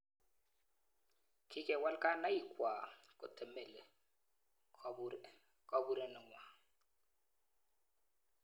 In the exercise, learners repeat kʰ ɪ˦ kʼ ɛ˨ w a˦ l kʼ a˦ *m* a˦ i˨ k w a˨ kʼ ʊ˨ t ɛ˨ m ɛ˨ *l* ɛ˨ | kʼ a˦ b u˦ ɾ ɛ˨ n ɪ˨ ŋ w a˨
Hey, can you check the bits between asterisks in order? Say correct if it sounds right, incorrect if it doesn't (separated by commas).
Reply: incorrect, correct